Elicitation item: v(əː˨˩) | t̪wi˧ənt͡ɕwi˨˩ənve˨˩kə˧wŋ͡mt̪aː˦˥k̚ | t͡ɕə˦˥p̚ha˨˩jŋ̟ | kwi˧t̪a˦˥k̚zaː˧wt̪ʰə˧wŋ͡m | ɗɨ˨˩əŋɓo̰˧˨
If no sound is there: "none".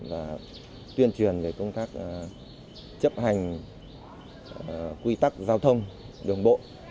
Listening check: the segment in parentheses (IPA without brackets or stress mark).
aː˨˩